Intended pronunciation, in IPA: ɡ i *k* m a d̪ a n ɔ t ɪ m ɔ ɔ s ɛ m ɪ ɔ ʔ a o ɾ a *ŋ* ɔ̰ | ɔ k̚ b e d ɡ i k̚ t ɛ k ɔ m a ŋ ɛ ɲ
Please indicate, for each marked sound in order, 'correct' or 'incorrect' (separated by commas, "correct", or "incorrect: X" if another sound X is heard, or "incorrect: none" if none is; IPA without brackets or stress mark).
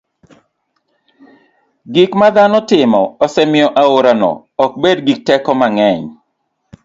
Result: correct, incorrect: n